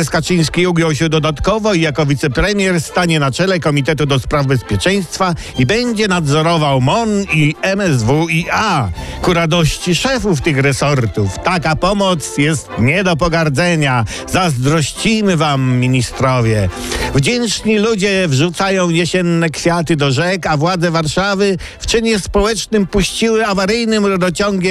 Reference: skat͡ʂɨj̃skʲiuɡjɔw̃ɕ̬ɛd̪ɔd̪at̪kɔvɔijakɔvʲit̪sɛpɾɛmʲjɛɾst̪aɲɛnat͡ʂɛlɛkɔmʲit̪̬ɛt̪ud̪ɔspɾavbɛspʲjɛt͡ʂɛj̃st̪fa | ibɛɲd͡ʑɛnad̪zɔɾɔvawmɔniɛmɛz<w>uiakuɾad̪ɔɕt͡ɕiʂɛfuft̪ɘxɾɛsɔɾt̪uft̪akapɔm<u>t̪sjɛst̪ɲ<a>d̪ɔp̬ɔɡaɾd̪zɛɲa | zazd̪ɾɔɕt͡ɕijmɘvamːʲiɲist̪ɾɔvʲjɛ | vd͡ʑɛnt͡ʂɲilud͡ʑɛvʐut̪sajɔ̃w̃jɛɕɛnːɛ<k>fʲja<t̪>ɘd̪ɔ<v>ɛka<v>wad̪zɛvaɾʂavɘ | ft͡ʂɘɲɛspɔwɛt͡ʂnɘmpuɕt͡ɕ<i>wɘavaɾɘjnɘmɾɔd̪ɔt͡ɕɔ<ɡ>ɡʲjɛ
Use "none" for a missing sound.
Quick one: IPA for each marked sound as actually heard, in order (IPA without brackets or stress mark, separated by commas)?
v, ɔ, ɛ, k, t̪, ʐ, v, i, ŋ